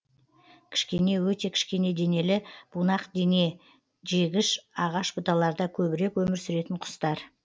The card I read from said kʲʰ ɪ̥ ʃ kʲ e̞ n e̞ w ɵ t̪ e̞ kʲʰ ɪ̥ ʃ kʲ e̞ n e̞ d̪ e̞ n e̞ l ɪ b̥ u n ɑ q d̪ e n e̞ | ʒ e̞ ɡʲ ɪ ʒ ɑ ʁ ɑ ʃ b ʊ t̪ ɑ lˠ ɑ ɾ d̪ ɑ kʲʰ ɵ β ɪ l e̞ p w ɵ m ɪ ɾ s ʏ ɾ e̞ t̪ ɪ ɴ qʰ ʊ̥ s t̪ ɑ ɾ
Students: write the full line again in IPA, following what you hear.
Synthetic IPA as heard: kʲʰ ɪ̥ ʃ kʲ e̞ n e̞ w ɵ t̪ e̞ kʲʰ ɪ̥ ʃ kʲ e̞ n e̞ d̪ e̞ n e̞ l ɪ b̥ u n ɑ q d̪ e n e̞ | ʒ e̞ ɡʲ ɪ ʃ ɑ ʁ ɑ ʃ b ʊ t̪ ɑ lˠ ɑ ɾ d̪ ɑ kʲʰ ɵ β ɪ ɾ e̞ k w ɵ m ɪ ɾ s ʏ ɾ e̞ t̪ ɪ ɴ qʰ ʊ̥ s t̪ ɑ ɾ